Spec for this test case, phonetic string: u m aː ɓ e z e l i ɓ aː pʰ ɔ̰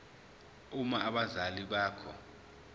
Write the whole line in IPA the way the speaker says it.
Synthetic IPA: u m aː ɓ a z a l i ɓ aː kʰ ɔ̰